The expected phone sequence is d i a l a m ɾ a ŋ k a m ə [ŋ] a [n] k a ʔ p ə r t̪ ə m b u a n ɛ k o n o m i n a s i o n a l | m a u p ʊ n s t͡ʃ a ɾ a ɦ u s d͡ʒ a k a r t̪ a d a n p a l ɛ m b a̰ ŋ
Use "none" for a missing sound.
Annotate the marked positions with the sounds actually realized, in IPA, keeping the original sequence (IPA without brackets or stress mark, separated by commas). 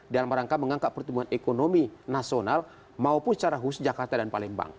ŋ, ŋ